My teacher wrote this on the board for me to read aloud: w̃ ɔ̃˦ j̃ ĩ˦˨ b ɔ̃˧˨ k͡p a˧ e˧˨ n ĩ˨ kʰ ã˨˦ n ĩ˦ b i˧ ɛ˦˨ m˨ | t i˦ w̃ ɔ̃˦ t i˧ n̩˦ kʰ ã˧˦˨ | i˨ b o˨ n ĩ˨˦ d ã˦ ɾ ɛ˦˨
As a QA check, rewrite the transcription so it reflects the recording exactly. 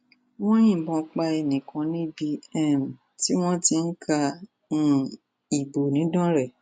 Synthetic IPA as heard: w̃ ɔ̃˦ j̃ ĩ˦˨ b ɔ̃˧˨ k͡p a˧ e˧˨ n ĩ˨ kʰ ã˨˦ n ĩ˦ b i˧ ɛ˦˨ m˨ | t i˦ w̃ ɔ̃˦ t i˧ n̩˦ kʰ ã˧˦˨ | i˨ b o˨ n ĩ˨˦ d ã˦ ɾ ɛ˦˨